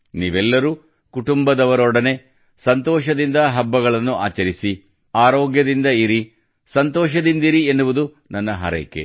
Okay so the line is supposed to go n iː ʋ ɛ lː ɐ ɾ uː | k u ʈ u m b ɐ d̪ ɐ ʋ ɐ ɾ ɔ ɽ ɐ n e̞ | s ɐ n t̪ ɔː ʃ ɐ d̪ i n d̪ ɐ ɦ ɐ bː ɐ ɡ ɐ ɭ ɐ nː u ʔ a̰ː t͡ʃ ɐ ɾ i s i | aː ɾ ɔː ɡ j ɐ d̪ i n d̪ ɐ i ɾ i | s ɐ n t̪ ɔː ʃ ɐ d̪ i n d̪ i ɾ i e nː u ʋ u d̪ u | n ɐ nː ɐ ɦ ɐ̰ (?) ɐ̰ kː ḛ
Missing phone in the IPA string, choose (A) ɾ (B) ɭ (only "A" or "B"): A